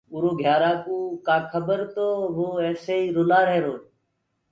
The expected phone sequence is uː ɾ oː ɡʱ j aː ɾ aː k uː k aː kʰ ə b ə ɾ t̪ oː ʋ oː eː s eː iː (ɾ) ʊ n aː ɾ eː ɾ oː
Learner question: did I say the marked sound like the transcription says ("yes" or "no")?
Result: yes